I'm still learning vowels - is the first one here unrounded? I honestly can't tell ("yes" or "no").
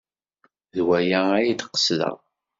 yes